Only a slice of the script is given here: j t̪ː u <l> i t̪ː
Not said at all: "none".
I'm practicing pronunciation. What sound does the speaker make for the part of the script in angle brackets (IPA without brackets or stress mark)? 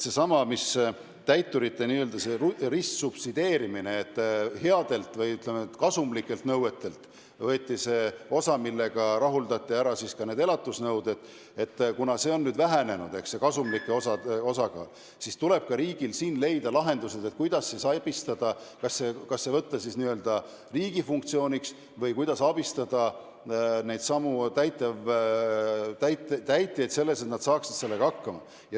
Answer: ɾ